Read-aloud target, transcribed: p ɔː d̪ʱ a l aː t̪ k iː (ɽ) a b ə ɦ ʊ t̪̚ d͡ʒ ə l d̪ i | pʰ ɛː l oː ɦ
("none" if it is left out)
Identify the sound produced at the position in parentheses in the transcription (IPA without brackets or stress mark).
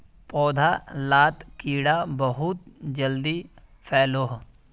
ɽ